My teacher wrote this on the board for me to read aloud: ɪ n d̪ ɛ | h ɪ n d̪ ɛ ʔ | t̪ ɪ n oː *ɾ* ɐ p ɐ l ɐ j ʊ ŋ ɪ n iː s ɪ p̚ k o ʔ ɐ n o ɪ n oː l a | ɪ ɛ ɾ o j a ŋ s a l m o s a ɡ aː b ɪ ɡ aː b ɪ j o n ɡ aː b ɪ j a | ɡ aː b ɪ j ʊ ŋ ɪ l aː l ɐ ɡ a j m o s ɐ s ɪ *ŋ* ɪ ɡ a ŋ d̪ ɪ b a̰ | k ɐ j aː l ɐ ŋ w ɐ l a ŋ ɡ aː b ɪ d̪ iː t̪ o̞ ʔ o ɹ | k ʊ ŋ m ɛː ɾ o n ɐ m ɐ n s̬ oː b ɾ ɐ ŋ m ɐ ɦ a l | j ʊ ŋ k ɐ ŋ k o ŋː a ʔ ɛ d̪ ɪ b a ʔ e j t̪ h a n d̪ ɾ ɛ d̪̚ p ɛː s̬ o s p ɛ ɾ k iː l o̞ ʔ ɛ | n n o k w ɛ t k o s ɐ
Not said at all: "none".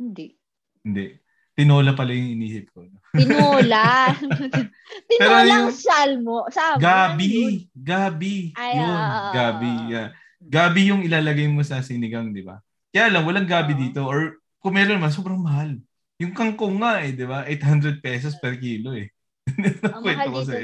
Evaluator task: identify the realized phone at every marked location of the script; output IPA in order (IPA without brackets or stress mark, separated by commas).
l, n